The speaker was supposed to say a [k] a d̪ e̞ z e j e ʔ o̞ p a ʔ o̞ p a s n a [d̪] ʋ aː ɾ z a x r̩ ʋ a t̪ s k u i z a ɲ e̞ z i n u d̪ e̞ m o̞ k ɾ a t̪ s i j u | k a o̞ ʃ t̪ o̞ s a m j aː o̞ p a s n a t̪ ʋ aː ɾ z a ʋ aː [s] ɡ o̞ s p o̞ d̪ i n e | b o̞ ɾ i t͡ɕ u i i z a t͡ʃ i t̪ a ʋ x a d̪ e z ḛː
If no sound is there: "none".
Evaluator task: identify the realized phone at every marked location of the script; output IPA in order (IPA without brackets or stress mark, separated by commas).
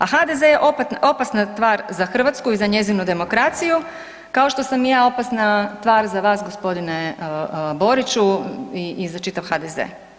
x, t̪, s